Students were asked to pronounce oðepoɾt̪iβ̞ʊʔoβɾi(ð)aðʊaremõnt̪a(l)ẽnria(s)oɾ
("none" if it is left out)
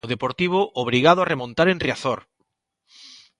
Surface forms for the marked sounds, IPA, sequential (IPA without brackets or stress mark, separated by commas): ɣ, ɾ, θ